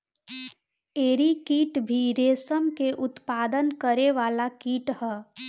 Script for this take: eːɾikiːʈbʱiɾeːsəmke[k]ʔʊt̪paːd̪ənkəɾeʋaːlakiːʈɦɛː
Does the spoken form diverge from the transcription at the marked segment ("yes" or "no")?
yes